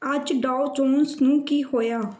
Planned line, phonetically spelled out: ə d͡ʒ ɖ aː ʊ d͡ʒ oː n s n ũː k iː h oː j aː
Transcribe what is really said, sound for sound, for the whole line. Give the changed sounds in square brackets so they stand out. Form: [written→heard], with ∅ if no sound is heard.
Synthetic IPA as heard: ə d͡ʒ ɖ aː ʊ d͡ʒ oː n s n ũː k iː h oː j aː